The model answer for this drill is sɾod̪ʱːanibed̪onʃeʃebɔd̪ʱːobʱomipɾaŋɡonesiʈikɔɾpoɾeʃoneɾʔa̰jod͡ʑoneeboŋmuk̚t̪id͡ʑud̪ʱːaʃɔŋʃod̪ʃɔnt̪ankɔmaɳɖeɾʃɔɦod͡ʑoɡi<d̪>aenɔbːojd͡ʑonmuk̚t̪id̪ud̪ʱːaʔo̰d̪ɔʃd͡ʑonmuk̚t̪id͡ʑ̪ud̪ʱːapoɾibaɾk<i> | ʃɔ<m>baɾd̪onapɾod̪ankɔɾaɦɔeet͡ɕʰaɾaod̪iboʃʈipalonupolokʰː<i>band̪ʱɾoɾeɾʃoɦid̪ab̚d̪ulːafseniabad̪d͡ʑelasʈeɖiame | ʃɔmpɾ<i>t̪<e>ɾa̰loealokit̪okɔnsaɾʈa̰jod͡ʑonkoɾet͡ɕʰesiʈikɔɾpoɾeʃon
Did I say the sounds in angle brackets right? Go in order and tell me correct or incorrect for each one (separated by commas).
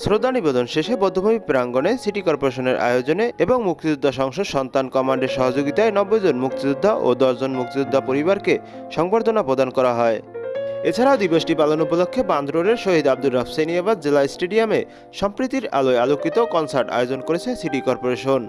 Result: incorrect, incorrect, incorrect, incorrect, correct, incorrect